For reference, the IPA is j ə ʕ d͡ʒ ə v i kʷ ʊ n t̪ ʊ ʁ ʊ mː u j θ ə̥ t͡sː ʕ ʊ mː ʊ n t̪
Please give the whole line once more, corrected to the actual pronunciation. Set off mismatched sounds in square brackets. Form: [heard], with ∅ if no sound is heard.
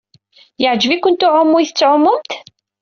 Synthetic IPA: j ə ʕ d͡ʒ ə v i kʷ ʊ n t̪ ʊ [ʕ] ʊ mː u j θ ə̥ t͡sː ʕ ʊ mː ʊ [m] t̪